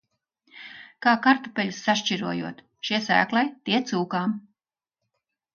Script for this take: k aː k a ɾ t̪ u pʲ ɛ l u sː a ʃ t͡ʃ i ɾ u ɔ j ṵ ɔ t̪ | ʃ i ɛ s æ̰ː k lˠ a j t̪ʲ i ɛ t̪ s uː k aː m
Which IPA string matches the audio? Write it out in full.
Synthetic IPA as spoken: k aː k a ɾ t̪ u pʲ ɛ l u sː a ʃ t͡ʃ i ɾ u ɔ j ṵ ɔ t̪ | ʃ i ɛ s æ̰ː k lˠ a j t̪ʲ i ɛ t̪ s uː k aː m

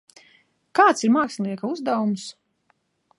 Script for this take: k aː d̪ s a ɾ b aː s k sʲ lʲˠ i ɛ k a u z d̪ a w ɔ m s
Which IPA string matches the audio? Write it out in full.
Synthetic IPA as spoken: k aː t̪ s i ɾ m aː k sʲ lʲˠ i ɛ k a u z d̪ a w u m s

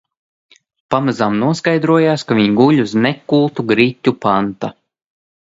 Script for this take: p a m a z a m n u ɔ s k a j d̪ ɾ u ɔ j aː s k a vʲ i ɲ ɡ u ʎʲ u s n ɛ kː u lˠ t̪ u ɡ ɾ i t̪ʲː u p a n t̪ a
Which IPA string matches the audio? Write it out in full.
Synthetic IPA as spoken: p a m a z a m n u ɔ s k a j d̪ ɾ u ɔ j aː s k a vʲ i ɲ ɡ u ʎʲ u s n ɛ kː u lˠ t̪ u ɡ ɾ i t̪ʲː u p a n t̪ a

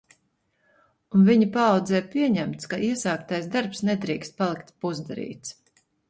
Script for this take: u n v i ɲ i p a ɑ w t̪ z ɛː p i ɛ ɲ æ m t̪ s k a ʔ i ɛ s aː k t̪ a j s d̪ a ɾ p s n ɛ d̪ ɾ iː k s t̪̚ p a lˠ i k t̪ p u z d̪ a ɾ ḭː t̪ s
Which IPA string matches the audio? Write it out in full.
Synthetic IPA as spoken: u n v i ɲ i p a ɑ w d̪ z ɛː p i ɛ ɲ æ m t̪ s k a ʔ i ɛ s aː k t̪ a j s d̪ a ɾ p s n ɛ d̪ ɾ iː k s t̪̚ p a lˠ i k t̪ p u z d̪ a ɾ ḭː t̪ s

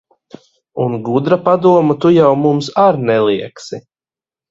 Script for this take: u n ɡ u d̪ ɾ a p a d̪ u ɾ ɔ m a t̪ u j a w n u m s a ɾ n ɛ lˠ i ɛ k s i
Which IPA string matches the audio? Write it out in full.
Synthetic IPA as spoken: u n ɡ u d̪ ɾ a p a d̪ u ɔ m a t̪ u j a w m u m s a ɾ n ɛ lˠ i ɛ k s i

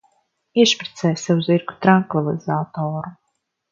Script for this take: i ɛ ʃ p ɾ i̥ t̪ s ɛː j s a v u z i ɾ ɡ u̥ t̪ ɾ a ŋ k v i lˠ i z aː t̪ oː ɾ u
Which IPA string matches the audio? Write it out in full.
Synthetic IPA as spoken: i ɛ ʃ p ɾ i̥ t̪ s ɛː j s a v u z i ɾ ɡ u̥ t̪ ɾ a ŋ k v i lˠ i z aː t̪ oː ɾ u

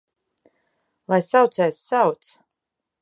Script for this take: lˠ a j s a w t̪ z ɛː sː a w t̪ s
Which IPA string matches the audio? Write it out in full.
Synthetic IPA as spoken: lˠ a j s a w t̪ s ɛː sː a w t̪ s

